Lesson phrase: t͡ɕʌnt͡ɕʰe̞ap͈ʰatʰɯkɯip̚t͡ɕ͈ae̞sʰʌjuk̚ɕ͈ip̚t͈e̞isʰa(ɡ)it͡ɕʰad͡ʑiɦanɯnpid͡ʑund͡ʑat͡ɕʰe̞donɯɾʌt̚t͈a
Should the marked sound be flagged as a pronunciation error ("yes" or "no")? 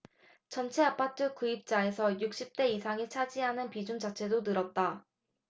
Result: yes